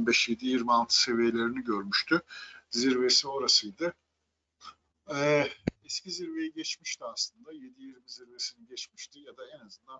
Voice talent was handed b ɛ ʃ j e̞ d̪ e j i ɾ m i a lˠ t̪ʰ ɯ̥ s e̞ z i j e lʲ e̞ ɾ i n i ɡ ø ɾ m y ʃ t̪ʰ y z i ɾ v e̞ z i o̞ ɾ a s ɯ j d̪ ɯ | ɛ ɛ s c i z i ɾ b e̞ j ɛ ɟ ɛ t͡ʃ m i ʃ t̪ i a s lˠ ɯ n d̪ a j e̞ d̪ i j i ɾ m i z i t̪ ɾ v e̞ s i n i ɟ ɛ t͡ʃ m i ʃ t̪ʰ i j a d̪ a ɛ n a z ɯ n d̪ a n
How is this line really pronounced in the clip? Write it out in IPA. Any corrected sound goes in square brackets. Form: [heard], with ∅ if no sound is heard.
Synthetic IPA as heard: b ɛ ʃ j e̞ d̪ [i] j i ɾ m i a lˠ t̪ʰ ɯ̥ s e̞ [v] i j e lʲ e̞ ɾ i n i [ɟ] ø ɾ m y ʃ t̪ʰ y z i ɾ v e̞ [s] i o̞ ɾ a s ɯ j d̪ ɯ | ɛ ɛ s c i z i ɾ [v] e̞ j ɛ ɟ ɛ t͡ʃ m i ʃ t̪ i a s lˠ ɯ n d̪ a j e̞ d̪ i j i ɾ m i z i [∅] ɾ v e̞ s i n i ɟ ɛ t͡ʃ m i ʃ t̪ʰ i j a d̪ a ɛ n a z ɯ n d̪ a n